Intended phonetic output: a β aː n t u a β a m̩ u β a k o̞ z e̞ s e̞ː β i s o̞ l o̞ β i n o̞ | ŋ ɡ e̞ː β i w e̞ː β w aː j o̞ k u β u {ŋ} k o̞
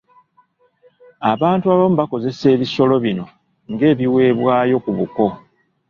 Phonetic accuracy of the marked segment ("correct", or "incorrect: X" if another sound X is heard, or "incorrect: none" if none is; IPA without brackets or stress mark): incorrect: none